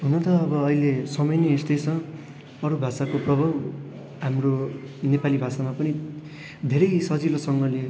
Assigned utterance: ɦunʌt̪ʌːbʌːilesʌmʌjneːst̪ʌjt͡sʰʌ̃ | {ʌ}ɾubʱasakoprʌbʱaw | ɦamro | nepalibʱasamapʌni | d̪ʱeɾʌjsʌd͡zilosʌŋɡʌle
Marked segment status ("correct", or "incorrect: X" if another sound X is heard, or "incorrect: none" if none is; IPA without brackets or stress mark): correct